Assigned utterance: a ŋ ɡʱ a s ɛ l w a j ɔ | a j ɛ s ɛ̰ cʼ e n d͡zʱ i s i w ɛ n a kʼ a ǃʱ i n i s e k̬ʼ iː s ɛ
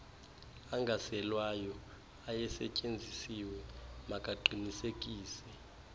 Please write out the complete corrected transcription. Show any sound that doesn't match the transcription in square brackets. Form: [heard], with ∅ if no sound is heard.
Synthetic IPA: a ŋ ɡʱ a s ɛ l w a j ɔ | a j ɛ s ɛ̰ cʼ e n d͡zʱ i s i w ɛ [m] a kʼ a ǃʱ i n i s e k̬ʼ iː s ɛ